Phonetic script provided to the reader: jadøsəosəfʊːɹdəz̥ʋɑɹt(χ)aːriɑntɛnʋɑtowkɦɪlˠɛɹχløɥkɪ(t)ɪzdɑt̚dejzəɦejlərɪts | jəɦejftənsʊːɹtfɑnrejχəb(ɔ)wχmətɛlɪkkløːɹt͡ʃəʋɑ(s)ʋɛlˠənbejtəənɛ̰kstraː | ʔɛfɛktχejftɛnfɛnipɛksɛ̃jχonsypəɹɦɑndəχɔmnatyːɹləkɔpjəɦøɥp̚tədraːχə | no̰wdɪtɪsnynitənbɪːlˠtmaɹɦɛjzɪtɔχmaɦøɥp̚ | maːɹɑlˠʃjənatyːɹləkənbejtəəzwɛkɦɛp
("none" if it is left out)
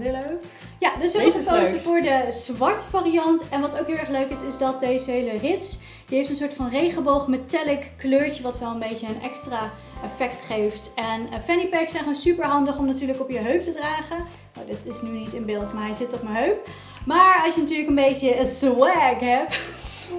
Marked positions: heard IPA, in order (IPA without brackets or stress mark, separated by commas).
f, s, o, t